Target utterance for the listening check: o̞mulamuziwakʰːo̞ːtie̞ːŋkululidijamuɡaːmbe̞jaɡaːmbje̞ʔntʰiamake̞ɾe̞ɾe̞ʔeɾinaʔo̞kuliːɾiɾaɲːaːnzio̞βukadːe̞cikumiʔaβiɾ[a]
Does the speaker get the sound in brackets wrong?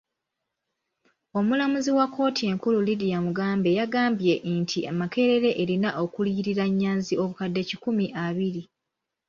yes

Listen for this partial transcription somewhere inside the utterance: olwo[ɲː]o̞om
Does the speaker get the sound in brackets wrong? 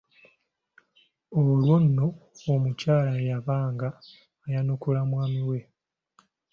yes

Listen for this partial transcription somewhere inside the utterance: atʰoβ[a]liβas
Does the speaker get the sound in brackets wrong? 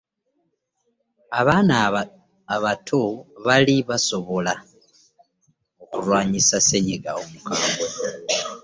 no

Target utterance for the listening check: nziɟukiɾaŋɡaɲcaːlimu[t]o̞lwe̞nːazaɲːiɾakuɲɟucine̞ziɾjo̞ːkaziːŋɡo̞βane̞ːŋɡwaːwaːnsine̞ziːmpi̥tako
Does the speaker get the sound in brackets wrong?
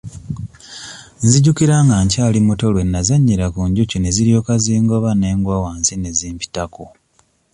no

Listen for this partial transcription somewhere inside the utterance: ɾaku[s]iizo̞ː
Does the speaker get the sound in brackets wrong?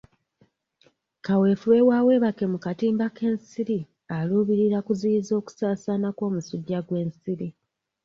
yes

